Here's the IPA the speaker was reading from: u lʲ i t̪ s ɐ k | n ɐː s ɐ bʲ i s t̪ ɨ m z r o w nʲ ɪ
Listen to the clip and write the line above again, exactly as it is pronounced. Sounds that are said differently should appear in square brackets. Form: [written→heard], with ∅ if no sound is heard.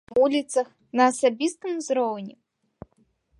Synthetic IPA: u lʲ i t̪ s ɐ [k→x] | n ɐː s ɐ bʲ i s t̪ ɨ m z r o w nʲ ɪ